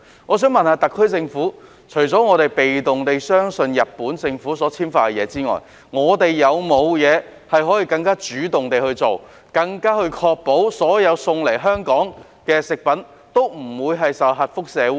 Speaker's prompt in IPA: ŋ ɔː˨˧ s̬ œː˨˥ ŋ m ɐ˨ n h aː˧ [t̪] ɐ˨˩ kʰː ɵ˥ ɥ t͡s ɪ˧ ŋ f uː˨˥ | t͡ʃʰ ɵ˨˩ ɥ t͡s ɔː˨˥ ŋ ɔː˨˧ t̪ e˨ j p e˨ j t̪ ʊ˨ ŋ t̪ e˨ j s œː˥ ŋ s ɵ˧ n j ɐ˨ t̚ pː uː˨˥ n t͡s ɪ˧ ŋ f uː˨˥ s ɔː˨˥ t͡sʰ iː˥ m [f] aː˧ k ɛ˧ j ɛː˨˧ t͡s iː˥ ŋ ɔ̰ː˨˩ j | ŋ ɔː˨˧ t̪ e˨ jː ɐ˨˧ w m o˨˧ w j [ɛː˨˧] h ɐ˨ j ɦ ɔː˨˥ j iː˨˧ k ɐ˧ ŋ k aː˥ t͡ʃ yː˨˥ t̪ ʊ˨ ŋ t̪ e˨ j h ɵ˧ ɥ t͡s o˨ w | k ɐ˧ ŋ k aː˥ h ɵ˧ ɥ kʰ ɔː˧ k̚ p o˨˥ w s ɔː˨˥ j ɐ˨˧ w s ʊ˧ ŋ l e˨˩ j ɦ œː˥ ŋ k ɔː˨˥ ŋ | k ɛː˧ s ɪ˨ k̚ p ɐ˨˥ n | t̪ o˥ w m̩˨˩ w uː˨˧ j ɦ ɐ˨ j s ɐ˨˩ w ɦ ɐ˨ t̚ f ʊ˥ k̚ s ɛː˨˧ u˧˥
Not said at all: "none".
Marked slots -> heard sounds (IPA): t̪, f, ɛː˨˧

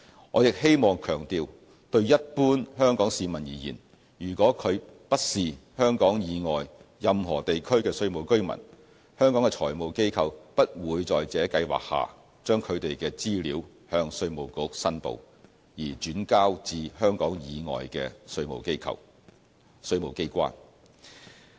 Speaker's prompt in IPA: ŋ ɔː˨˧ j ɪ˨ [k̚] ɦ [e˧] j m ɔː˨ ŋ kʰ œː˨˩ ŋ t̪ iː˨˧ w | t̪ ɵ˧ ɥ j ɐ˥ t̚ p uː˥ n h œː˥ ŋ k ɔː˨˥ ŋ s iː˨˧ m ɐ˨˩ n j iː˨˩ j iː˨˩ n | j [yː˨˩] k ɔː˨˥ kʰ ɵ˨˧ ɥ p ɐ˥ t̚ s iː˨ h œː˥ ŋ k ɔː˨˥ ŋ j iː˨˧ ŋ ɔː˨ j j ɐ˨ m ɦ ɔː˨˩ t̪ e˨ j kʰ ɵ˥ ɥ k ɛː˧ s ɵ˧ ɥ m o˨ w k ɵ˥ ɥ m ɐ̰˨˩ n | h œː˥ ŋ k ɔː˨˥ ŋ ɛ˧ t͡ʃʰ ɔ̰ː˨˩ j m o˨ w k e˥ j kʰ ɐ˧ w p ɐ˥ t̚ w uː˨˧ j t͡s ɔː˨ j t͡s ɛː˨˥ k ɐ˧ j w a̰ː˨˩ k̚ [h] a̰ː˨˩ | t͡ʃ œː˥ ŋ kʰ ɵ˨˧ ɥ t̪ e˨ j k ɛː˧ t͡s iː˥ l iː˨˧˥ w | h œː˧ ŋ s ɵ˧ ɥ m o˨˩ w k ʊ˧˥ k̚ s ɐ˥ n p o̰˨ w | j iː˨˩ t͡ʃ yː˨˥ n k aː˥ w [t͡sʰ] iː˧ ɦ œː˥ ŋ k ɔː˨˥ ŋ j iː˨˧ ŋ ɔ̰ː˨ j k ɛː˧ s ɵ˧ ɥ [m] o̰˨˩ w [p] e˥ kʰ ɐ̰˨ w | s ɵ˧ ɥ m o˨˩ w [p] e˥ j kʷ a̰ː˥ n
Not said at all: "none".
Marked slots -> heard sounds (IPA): k̚, e˥, yː˨˩, h, t͡s, m, k, k

